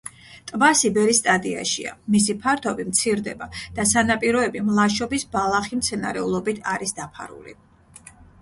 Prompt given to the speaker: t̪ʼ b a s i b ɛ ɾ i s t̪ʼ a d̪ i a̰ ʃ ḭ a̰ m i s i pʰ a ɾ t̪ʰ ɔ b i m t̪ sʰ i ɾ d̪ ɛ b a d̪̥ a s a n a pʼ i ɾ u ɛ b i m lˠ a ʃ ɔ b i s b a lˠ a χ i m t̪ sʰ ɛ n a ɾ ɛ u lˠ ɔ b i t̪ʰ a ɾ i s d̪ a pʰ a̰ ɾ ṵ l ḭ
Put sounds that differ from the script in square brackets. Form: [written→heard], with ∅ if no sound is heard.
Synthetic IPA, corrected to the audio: t̪ʼ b a s i b ɛ ɾ i s t̪ʼ a d̪ i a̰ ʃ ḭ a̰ m i s i pʰ a ɾ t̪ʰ ɔ b i m t̪ sʰ i ɾ d̪ ɛ b a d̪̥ a s a n a pʼ i ɾ [u→ɔ] ɛ b i m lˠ a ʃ ɔ b i s b a lˠ a χ i m t̪ sʰ ɛ n a ɾ ɛ u lˠ ɔ b i t̪ʰ a ɾ i s d̪ a pʰ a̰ ɾ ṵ l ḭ

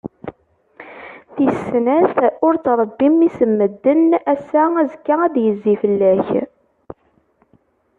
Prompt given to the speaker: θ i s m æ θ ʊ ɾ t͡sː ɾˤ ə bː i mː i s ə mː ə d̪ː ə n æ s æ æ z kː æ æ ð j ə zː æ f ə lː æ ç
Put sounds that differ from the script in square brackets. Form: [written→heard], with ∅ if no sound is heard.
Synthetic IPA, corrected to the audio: θ i s [m→n] æ θ ʊ ɾ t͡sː ɾˤ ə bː i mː i s ə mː ə d̪ː ə n æ s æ æ z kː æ æ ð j ə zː [æ→i] f ə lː æ ç

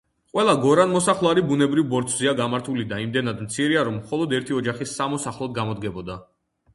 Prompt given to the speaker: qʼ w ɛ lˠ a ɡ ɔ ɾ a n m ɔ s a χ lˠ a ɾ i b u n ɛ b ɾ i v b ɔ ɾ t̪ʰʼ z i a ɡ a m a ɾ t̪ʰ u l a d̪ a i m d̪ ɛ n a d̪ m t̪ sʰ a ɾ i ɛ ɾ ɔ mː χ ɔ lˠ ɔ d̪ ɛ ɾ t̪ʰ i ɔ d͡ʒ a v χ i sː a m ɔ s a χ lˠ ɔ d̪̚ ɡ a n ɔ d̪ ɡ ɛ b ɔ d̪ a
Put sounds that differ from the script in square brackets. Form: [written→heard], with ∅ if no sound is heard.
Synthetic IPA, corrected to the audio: qʼ w ɛ lˠ a ɡ ɔ ɾ a n m ɔ s a χ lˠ a ɾ i b u n ɛ b ɾ i v b ɔ ɾ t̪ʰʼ z i a ɡ a m a ɾ t̪ʰ u l [a→i] d̪ a i m d̪ ɛ n a d̪ m t̪ sʰ [a→i] ɾ i [ɛ→a] ɾ ɔ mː χ ɔ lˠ ɔ d̪ ɛ ɾ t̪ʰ i ɔ d͡ʒ a [v→∅] χ i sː a m ɔ s a χ lˠ ɔ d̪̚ ɡ a [n→m] ɔ d̪ ɡ ɛ b ɔ d̪ a

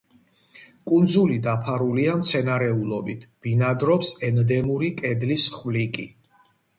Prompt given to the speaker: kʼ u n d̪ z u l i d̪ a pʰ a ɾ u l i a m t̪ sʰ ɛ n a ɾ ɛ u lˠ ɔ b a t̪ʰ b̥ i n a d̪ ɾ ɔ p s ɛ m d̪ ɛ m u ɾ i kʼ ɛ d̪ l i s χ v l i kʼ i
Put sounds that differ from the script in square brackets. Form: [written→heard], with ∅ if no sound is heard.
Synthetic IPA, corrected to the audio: kʼ u n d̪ z u l i d̪ a pʰ a ɾ u l i a m t̪ sʰ ɛ n a ɾ ɛ u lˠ ɔ b [a→i] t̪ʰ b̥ i n a d̪ ɾ ɔ p s ɛ [m→n] d̪ ɛ m u ɾ i kʼ ɛ d̪ l i s χ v l i kʼ i

